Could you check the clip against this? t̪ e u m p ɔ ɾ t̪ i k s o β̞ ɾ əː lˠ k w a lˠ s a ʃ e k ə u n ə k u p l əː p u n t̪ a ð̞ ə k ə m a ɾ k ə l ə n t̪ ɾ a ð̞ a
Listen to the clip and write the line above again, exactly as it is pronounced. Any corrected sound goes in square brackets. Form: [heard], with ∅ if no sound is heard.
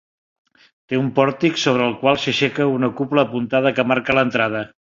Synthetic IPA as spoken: t̪ e u m p ɔ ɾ t̪ i k s o β̞ ɾ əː lˠ k w a lˠ s [ə] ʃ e k ə u n ə k u p l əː p u n t̪ a ð̞ ə k ə m a ɾ k ə l ə n t̪ ɾ a ð̞ [ə]